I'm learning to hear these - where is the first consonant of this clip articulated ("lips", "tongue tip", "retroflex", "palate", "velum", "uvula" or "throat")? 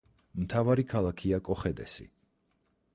lips